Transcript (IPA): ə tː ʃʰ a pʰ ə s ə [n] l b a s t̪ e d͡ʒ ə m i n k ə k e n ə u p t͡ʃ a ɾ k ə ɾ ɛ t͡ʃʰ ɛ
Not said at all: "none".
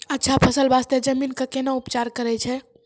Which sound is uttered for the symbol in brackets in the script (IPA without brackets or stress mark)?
none